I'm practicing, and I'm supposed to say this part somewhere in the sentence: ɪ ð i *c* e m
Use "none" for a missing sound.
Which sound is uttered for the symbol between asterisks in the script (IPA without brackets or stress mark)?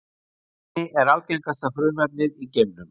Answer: c